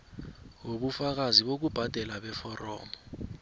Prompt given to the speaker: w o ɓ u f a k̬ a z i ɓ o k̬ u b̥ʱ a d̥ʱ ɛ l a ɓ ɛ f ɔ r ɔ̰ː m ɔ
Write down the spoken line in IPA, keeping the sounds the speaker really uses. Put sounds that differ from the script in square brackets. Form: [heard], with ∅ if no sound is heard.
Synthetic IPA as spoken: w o ɓ u f a k̬ a z i ɓ o k̬ u b̥ʱ a d̥ʱ ɛ l a ɓ ɛ f ɔ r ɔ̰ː m ɔ

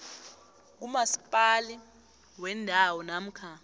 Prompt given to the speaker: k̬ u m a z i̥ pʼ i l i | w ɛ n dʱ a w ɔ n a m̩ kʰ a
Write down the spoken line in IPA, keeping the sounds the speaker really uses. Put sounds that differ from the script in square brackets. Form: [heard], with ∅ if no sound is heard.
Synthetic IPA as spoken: k̬ u m a [s] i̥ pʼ [a] l i | w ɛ n dʱ a w ɔ n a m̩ kʰ a

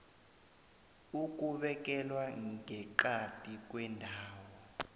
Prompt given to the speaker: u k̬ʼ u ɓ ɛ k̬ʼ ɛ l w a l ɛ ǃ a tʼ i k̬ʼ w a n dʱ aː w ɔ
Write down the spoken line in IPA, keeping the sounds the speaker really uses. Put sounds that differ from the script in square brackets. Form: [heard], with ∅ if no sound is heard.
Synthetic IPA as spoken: u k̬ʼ u ɓ ɛ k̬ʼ ɛ l w a [∅] ɛ ǃ a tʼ i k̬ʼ w [ɛ] n dʱ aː w ɔ

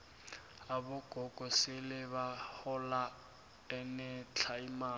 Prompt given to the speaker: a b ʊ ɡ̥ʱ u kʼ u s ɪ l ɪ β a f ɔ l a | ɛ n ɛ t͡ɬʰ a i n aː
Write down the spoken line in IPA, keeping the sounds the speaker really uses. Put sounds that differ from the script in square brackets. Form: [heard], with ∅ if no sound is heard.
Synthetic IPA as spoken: a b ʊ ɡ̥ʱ [ɔ] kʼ [ɔ] s ɪ l ɪ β a [h] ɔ l a | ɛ n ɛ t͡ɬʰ a i [m] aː

